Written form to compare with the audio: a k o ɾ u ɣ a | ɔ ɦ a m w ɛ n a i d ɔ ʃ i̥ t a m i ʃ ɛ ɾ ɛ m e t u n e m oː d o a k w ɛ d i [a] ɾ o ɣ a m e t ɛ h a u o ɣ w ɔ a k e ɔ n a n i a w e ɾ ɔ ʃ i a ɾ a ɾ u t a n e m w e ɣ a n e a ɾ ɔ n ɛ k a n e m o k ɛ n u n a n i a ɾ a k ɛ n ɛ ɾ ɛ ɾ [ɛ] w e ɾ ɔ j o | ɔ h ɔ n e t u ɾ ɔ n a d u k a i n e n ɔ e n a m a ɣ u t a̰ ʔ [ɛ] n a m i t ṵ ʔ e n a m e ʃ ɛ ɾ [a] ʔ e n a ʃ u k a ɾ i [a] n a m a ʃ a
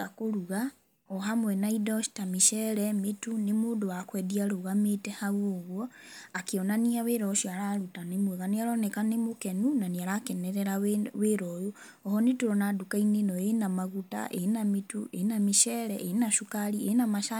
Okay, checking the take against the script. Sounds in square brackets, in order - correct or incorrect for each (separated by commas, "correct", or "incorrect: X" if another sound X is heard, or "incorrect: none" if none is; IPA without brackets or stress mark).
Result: correct, incorrect: a, incorrect: e, incorrect: ɛ, incorrect: e